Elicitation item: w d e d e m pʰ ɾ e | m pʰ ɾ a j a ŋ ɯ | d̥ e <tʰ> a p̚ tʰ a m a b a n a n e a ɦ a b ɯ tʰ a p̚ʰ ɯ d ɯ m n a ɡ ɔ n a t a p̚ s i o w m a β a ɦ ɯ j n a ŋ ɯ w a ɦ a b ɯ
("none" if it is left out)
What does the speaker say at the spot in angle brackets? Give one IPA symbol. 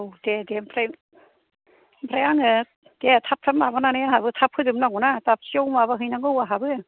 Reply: tʰ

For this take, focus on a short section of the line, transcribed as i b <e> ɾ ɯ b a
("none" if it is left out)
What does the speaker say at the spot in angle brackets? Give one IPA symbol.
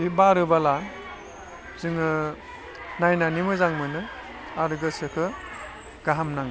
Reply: a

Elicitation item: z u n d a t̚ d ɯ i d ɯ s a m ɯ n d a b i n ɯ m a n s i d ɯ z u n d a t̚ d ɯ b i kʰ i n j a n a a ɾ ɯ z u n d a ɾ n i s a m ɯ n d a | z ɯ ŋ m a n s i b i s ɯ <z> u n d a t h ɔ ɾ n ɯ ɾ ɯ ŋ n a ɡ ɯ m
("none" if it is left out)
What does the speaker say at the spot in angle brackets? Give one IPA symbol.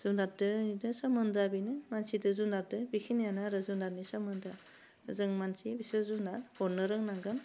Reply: z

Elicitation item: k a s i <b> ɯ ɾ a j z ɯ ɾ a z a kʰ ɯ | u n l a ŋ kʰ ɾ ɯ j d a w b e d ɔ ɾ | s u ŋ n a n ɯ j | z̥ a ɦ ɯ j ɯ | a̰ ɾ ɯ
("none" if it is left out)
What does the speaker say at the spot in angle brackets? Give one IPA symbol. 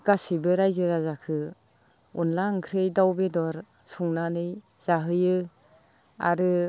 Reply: b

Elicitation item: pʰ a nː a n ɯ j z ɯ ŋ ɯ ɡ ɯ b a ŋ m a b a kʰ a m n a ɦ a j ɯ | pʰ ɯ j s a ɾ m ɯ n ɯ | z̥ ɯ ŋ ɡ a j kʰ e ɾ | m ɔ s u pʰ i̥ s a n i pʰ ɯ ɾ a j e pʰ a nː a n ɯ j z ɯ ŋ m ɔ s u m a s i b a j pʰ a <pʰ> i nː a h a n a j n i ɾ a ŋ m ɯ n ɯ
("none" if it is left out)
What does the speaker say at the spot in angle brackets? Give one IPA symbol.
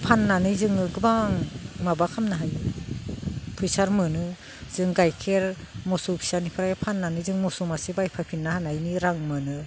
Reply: pʰ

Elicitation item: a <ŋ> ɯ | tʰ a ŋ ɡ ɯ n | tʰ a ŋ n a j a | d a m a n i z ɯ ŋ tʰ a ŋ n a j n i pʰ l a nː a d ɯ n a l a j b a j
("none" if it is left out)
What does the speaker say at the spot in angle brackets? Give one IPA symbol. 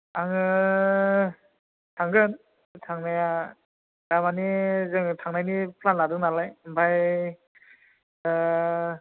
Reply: ŋ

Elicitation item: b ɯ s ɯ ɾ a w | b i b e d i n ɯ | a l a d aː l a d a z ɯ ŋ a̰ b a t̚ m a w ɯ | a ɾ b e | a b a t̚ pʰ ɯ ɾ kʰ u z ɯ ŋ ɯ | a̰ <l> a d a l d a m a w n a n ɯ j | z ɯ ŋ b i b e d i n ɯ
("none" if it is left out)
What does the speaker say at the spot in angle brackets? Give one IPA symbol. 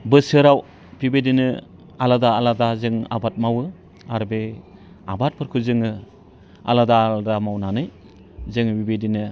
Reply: l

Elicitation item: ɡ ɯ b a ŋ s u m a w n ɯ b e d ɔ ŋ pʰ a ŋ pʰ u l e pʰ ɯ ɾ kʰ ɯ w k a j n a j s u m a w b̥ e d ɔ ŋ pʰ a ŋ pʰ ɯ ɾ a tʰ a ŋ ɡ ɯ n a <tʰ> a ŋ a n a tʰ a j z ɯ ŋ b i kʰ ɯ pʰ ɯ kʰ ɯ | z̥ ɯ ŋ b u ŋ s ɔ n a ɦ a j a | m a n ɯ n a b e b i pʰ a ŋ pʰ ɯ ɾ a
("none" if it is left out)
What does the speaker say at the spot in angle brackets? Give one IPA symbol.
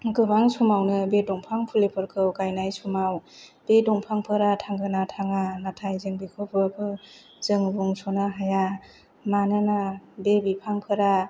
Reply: tʰ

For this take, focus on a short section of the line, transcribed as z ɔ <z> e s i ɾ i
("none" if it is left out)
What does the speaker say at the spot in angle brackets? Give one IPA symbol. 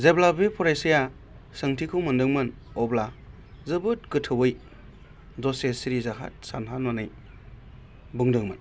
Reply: s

